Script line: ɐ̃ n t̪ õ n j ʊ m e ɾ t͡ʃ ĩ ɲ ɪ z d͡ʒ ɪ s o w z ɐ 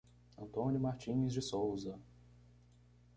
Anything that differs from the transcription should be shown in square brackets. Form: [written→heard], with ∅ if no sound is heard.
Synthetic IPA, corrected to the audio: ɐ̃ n t̪ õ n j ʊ m [e→a] ɾ t͡ʃ ĩ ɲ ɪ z d͡ʒ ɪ s o w z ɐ